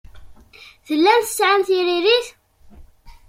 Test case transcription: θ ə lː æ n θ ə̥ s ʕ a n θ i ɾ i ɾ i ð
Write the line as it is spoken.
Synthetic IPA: θ ə lː æ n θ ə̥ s ʕ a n θ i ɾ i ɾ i θ